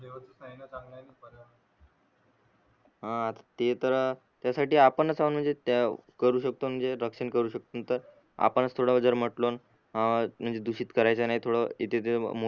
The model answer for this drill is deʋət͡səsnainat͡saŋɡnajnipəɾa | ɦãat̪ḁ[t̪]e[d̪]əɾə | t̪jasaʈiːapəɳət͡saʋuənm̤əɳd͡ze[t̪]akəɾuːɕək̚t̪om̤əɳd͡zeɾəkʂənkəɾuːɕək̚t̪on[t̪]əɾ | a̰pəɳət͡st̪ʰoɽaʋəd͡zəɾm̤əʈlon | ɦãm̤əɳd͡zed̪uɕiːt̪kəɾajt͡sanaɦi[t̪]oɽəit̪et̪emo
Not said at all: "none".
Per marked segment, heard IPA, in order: t̪, t̪, t̪, t̪, t̪ʰ

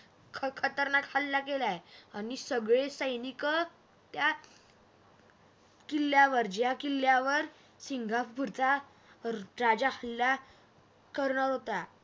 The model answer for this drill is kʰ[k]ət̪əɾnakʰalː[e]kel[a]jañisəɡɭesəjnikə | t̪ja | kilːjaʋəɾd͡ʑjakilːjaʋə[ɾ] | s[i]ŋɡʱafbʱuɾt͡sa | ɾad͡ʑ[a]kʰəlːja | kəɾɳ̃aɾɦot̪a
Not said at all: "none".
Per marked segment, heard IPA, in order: kʰ, a, a, ɾ, i, a

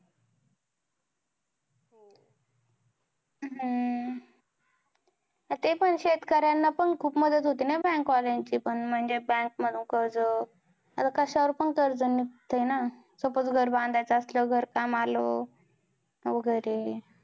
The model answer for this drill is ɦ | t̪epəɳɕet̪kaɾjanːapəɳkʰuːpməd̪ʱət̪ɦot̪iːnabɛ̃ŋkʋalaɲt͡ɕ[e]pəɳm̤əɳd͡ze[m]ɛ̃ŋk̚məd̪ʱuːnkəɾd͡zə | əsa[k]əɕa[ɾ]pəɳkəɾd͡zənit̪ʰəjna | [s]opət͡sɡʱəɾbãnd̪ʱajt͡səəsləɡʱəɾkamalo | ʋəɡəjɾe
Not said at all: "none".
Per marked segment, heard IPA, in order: i, b, k, ɾ, s

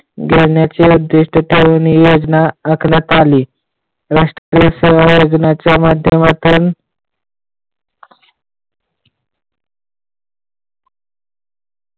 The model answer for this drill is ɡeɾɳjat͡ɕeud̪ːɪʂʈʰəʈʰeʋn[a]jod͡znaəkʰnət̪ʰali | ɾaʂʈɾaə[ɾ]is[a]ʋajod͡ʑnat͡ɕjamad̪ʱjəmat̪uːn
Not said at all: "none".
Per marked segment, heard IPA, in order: i, ɾ, e

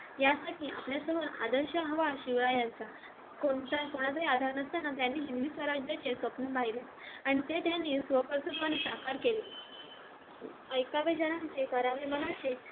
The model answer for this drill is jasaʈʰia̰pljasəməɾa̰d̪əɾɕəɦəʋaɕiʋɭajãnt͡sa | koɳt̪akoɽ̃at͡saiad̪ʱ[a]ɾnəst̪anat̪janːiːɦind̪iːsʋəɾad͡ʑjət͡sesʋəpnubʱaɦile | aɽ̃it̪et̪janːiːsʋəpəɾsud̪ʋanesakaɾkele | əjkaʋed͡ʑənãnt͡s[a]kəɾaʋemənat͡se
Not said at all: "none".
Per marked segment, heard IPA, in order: a, e

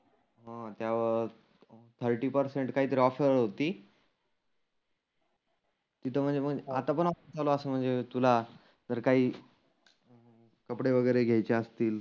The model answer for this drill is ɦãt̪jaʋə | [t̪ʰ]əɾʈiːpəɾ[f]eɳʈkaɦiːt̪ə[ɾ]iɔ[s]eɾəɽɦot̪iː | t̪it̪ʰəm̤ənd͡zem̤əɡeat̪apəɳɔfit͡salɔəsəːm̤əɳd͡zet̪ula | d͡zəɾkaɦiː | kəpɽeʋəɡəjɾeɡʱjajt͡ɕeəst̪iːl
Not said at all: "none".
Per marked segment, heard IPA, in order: t̪ʰ, s, ɾ, f

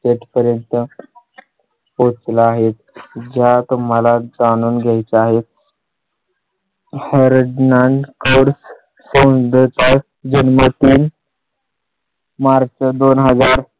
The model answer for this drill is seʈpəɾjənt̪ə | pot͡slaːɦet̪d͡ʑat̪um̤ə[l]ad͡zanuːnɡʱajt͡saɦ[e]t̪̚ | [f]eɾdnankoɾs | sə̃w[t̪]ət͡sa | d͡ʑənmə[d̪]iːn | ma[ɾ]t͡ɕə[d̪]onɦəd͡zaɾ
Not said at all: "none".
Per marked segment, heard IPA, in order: l, e, h, d̪, t̪, ɾ, d̪

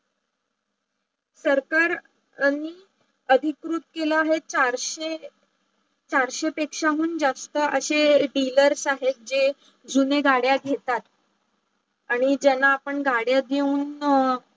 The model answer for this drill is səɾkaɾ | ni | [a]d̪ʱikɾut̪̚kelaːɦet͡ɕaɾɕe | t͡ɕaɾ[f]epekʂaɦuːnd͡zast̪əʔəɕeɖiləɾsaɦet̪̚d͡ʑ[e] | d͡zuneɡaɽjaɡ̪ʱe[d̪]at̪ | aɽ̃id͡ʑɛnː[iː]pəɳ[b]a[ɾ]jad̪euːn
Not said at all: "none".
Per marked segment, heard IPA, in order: ə, ɕ, e, t̪, aː, ɡ, ɽ

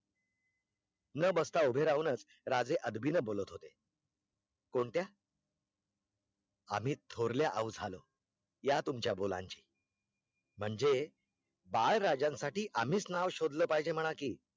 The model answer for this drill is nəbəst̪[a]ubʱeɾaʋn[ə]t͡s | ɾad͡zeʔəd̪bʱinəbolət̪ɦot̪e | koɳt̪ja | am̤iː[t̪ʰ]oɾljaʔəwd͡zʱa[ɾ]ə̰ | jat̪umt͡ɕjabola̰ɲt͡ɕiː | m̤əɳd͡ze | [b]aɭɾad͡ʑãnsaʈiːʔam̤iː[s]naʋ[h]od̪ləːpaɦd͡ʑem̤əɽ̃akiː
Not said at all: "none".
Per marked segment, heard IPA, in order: a, ə, t̪ʰ, l, b, t͡s, ɕ

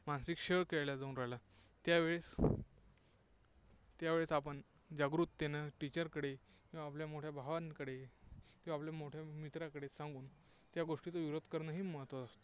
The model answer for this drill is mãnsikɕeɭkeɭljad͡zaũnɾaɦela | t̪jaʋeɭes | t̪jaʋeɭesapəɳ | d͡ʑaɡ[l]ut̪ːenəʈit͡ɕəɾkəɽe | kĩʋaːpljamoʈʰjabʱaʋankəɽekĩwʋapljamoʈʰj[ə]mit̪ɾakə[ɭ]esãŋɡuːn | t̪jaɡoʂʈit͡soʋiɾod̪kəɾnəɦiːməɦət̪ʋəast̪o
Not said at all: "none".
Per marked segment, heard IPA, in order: ɾ, a, ɽ

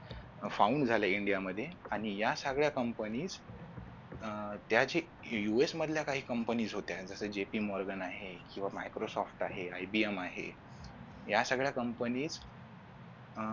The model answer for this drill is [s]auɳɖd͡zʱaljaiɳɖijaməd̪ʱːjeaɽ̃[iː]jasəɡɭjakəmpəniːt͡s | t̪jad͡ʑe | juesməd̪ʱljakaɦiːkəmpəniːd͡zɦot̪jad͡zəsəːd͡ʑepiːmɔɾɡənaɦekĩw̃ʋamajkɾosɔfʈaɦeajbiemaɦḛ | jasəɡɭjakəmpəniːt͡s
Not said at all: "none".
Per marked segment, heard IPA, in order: f, i

